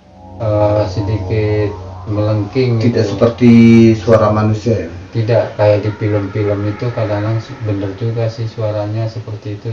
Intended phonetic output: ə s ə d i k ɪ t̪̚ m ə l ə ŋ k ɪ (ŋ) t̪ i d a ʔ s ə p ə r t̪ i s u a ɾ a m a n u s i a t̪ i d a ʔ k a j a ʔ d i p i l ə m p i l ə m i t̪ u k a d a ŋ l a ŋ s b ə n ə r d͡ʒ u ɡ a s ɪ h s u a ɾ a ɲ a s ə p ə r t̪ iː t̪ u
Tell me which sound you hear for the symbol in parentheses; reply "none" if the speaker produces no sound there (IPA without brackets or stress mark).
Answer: ŋ